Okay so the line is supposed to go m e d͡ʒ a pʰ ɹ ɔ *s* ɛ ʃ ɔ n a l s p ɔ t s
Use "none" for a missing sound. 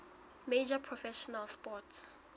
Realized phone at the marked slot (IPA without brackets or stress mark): f